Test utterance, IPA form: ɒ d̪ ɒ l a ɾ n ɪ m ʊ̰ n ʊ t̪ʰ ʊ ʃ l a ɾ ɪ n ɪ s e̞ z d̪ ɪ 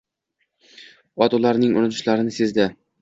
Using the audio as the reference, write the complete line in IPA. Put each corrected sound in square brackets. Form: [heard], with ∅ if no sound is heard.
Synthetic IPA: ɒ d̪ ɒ l a ɾ n ɪ [ŋ] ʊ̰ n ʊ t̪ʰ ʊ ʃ l a ɾ ɪ n ɪ s e̞ z d̪ ɪ